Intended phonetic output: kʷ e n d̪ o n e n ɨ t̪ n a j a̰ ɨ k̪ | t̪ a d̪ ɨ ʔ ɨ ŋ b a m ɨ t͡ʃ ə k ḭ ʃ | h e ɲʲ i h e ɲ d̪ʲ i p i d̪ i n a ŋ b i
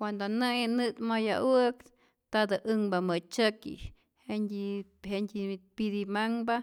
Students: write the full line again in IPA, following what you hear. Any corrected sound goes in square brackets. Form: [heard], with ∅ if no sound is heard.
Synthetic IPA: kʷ [a] n d̪ o n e n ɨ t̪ [m] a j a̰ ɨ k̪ | t̪ a d̪ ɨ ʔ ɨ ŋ b a m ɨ t͡ʃ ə k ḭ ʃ | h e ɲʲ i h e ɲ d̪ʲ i p i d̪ i [m] a ŋ b [a]